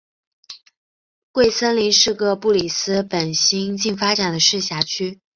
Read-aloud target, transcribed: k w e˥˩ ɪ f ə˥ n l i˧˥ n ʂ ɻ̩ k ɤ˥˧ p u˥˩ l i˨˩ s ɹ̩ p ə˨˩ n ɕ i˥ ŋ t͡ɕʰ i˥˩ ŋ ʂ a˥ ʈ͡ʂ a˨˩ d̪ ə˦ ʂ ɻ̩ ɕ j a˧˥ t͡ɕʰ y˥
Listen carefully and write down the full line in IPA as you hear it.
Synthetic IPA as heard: k w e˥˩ ɪ s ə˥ n l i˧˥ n ʂ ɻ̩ k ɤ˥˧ p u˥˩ l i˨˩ s ɹ̩ p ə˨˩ n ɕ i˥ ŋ t͡ɕ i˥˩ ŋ f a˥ ʈ͡ʂ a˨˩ d̪ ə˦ ʂ ɻ̩ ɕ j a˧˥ t͡ɕʰ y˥